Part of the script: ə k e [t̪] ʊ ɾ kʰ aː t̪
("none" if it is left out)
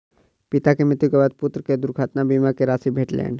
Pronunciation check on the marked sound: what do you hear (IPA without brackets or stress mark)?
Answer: d̪